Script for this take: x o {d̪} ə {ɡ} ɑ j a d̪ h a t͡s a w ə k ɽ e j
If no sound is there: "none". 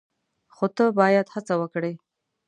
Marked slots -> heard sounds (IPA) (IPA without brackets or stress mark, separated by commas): t̪, b